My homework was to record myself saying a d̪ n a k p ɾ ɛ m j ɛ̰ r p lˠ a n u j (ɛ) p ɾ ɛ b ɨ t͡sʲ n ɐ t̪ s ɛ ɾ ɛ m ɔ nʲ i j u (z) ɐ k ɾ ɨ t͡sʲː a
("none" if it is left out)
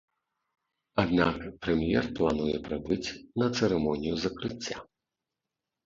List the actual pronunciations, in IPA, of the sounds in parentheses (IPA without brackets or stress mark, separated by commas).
ɛ, z